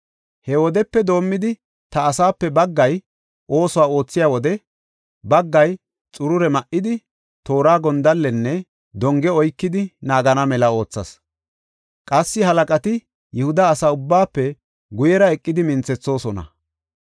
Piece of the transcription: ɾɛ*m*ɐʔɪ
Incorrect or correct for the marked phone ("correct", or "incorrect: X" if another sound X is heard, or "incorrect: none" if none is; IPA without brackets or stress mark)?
correct